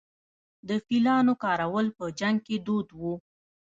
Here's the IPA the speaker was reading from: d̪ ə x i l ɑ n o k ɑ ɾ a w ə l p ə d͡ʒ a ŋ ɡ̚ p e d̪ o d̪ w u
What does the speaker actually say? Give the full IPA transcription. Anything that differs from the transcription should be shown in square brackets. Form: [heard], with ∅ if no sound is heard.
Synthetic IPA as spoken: d̪ ə [f] i l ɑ n o k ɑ ɾ a w ə l p ə d͡ʒ a ŋ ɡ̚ [k] e d̪ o d̪ w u